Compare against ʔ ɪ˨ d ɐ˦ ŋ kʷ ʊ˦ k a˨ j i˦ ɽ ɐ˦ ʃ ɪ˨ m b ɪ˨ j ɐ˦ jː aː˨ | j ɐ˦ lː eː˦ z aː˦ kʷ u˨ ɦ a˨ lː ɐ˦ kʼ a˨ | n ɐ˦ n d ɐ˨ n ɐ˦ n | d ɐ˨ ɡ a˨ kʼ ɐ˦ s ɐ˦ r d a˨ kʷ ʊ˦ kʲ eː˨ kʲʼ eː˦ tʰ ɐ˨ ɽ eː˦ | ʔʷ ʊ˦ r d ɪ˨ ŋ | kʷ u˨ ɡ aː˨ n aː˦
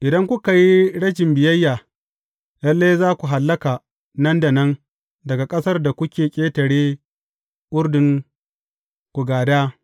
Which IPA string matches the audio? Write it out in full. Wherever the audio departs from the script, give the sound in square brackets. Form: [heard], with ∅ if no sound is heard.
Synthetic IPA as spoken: ʔ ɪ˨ d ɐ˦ ŋ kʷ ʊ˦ k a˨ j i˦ ɽ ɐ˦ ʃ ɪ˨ m b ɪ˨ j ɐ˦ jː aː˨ | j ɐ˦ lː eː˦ z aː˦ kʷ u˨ ɦ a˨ lː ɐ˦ [k] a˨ | n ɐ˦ n d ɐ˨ n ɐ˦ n | d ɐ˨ ɡ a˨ kʼ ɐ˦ s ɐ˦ r d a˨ kʷ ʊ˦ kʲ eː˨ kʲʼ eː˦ [t] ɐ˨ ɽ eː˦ | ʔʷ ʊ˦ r d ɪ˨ ŋ | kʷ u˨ ɡ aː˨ [d] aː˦